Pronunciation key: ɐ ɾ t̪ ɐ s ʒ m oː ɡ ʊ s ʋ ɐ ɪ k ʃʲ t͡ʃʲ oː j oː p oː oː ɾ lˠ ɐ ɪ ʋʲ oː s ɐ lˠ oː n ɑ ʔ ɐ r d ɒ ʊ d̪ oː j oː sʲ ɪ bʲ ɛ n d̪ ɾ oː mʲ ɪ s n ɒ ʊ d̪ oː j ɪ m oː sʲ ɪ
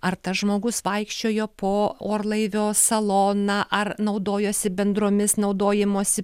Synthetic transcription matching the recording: ɐ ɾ t̪ ɐ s ʒ m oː ɡ ʊ s ʋ ɐ ɪ k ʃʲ t͡ʃʲ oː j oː p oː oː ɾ lˠ ɐ ɪ ʋʲ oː s ɐ lˠ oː n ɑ ʔ ɐ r n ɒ ʊ d̪ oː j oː sʲ ɪ bʲ ɛ n d̪ ɾ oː mʲ ɪ s n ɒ ʊ d̪ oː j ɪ m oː sʲ ɪ